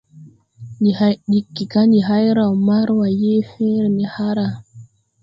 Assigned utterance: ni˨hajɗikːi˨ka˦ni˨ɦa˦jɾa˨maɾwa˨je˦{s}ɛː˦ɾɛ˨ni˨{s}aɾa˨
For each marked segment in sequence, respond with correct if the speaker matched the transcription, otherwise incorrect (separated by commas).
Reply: incorrect, incorrect